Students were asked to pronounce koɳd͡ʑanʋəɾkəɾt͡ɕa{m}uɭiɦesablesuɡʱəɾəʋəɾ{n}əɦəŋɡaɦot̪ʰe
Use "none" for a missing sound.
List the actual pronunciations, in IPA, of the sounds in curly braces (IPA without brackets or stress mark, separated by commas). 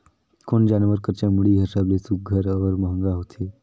m, m